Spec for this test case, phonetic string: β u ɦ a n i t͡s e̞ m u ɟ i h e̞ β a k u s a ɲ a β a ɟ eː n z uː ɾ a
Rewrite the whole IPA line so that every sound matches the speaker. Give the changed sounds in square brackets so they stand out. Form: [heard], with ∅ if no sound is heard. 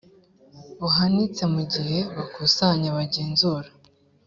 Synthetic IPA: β u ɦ a n i t͡s e̞ m u ɟ i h e̞ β a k u s a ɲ a β a ɟ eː n z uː ɾ a